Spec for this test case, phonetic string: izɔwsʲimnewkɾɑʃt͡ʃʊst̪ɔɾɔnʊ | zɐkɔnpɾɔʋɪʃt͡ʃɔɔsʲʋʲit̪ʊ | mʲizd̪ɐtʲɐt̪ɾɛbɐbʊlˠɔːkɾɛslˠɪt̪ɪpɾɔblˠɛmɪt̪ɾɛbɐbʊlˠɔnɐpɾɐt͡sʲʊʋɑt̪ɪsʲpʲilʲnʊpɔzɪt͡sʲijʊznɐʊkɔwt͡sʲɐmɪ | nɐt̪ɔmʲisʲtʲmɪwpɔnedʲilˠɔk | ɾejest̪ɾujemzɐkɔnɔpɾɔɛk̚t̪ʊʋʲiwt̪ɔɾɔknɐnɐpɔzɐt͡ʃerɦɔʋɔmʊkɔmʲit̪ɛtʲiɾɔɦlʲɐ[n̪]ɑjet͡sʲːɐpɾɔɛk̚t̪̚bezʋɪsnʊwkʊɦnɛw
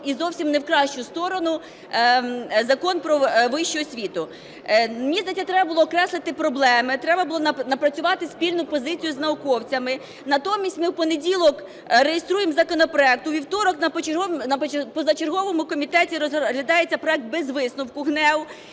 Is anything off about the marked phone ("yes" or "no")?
yes